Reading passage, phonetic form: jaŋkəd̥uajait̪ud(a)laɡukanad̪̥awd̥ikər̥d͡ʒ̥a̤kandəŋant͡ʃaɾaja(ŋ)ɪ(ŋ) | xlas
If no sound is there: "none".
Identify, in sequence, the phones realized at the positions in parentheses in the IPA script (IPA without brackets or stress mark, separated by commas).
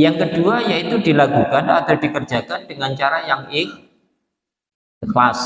i, ŋ, ŋ